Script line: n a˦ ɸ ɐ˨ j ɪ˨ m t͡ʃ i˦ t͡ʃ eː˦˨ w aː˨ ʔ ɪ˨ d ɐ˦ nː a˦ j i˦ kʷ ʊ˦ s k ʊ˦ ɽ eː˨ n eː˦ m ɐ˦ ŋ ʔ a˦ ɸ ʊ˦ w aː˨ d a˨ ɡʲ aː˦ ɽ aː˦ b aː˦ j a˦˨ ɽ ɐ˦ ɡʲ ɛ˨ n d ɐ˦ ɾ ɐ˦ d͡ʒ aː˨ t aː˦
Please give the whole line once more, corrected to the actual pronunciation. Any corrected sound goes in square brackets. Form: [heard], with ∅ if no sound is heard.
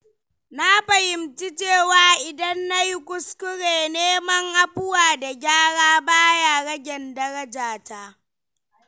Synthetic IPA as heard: n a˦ ɸ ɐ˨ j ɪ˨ m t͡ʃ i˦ t͡ʃ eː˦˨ w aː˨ ʔ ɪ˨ d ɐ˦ nː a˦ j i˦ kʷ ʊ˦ s k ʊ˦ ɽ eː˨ n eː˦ m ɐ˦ ŋ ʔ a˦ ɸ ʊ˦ w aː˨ d a˨ ɡʲ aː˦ ɽ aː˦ b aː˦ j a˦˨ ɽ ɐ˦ ɡʲ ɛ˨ n d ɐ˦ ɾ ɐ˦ d͡ʒ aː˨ t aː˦